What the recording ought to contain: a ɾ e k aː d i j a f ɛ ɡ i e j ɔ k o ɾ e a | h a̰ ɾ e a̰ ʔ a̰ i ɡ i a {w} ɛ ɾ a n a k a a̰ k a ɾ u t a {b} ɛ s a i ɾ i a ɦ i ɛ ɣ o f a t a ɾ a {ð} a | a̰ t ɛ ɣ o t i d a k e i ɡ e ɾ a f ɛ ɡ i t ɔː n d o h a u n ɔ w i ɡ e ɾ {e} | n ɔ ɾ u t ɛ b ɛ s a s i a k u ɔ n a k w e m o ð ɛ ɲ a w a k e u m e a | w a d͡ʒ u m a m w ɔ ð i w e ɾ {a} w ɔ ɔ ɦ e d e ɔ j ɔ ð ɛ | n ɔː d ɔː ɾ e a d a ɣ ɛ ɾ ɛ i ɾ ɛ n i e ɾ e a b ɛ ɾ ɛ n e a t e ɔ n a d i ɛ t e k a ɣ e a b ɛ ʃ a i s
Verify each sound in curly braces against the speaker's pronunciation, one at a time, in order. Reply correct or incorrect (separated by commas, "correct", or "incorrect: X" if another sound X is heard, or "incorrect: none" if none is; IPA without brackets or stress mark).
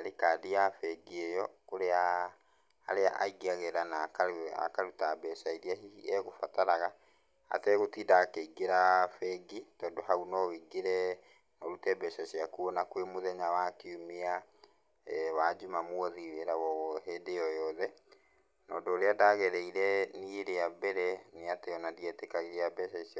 incorrect: ɣ, correct, incorrect: ɣ, incorrect: ɛ, correct